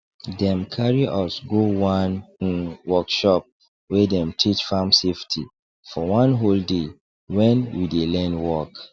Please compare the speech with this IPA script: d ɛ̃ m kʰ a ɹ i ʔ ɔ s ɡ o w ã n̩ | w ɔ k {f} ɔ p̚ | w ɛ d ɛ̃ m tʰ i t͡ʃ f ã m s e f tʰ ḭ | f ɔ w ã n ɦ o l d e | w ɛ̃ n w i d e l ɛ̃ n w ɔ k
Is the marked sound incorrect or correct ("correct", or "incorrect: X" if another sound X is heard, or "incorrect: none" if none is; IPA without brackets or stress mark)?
incorrect: ʃ